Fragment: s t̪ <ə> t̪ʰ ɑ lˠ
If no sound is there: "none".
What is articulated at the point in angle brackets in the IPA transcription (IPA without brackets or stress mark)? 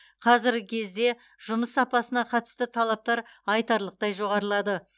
ə